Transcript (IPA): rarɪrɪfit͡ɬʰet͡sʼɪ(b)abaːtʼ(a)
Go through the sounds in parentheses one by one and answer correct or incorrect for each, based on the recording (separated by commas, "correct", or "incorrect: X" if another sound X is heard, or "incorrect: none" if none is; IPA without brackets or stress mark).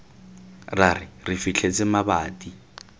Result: incorrect: m, incorrect: i